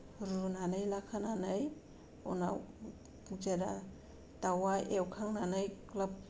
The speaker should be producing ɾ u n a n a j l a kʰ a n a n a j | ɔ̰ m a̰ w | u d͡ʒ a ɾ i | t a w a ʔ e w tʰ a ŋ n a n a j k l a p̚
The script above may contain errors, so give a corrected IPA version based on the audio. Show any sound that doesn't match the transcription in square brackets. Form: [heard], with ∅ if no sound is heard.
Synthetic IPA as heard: ɾ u n a n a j l a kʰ a n a n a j | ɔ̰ [n] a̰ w | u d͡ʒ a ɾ [a] | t a w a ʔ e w [kʰ] a ŋ n a n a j k l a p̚